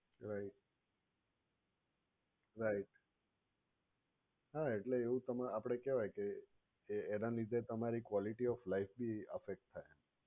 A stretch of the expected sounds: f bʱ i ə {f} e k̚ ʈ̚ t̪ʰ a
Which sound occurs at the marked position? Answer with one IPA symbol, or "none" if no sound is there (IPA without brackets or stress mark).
f